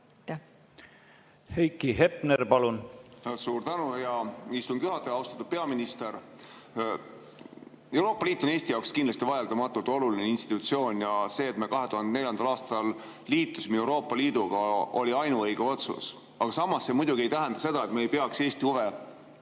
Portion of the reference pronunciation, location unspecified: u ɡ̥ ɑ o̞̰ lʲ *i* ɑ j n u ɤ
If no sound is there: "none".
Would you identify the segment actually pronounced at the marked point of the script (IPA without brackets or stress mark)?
i